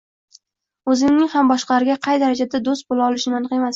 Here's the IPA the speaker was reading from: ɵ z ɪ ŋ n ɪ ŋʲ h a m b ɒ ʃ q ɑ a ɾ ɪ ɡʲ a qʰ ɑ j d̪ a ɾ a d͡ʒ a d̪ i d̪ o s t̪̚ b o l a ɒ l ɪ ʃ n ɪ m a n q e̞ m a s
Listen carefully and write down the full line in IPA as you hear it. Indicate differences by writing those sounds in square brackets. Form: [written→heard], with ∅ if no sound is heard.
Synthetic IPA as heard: ɵ z ɪ ŋ n ɪ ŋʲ h a m b ɒ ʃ q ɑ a ɾ ɪ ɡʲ a qʰ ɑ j d̪ a ɾ a d͡ʒ a d̪ [i→a] d̪ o s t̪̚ b o l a ɒ l ɪ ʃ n ɪ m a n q e̞ m a s